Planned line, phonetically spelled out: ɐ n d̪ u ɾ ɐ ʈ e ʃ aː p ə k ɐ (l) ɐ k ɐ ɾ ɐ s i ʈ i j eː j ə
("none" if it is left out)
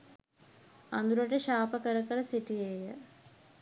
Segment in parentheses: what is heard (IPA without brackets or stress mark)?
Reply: ɾ